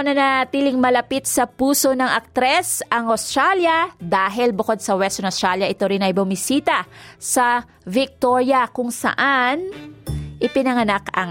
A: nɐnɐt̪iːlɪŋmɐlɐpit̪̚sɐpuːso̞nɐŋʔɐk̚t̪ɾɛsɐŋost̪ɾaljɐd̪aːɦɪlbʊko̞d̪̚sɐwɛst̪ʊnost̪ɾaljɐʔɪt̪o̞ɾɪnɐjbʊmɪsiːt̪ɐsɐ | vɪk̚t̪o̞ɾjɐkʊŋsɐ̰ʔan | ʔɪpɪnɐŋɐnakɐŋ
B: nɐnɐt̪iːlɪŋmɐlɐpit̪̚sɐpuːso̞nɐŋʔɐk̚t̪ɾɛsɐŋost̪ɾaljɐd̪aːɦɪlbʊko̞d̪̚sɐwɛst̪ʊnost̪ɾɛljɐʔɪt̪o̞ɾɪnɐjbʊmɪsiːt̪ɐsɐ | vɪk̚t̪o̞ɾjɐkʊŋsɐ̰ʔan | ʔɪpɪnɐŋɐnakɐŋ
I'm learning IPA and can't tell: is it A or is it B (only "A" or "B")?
A